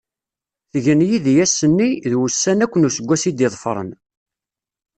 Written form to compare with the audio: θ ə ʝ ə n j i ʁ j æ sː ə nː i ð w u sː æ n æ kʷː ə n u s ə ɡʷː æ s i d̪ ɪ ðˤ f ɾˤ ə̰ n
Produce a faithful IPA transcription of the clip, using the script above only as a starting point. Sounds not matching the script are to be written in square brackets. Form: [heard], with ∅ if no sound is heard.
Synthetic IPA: θ ə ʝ ə n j i [ð] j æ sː ə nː i ð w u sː æ n æ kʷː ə n u s ə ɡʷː æ s i d̪ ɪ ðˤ f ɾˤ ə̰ n